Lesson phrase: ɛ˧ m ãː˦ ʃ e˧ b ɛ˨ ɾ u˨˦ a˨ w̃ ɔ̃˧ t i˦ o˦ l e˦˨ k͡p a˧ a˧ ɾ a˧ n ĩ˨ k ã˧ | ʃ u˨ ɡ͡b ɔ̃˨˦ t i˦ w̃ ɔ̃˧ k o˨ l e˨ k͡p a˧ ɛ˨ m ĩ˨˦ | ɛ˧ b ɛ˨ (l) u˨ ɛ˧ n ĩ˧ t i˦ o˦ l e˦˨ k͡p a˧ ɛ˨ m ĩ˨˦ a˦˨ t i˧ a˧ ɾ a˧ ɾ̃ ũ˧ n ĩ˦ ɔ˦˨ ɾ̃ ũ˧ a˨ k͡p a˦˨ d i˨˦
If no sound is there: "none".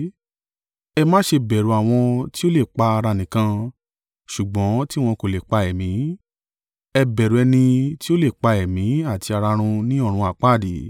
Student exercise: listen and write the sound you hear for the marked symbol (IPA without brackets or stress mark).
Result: ɾ